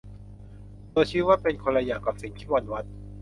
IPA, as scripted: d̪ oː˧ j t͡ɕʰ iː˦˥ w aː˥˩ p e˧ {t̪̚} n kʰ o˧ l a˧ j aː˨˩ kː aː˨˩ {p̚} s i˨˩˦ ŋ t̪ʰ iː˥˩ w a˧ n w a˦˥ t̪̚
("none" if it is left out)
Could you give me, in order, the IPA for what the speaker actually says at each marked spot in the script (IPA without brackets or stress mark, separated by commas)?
none, p̚